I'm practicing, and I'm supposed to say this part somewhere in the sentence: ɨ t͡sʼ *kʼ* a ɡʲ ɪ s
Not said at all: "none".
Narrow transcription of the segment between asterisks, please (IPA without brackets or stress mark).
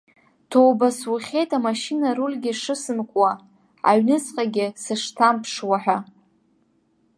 qʼ